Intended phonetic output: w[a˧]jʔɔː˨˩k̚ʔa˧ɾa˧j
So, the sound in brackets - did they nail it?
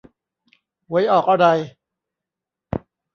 no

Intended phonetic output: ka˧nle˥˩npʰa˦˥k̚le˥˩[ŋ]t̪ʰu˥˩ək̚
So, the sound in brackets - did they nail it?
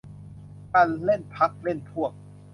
no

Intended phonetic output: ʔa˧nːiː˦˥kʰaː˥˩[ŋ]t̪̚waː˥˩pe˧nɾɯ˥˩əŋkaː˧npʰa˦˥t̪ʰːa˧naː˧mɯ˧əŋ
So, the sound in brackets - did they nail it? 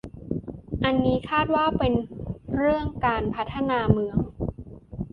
no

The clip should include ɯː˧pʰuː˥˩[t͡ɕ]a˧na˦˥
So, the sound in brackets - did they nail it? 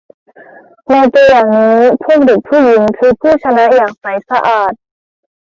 no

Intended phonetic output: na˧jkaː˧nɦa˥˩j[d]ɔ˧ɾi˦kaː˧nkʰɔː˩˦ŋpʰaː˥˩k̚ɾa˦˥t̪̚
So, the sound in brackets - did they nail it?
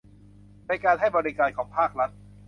no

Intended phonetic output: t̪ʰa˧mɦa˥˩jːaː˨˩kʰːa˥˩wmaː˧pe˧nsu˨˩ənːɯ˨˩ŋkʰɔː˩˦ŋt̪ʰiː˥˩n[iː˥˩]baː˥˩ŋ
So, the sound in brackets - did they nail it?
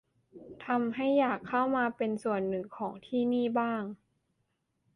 yes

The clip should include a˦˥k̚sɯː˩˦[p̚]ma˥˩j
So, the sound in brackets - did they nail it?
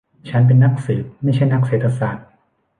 yes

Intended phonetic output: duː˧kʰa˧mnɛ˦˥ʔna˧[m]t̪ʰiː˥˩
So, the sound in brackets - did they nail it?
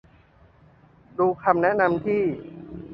yes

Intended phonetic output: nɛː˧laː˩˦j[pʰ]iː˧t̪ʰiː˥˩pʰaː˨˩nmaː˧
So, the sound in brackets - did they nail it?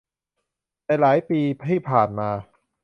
no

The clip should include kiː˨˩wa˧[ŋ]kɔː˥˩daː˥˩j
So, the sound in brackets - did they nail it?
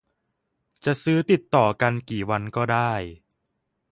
no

